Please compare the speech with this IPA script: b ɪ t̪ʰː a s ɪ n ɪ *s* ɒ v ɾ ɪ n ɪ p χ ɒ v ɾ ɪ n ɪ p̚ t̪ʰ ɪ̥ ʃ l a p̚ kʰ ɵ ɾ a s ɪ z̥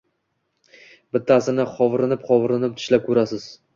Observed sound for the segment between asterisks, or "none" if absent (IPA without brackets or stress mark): χ